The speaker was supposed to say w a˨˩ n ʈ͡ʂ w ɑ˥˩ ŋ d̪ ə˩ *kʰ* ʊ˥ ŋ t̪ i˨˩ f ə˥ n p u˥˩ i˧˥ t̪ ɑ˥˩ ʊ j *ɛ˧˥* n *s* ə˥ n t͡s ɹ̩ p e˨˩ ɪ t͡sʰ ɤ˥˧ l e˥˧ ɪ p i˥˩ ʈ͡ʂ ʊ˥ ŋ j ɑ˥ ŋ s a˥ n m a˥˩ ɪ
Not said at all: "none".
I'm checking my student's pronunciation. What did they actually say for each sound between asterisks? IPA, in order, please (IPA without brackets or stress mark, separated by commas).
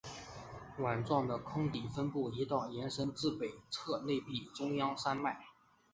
kʰ, ɛ˧˥, ʂ